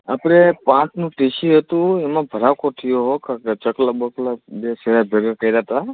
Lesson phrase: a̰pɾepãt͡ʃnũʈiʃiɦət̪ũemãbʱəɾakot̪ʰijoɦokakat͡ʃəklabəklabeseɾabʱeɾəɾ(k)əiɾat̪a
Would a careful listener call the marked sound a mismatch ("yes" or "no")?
no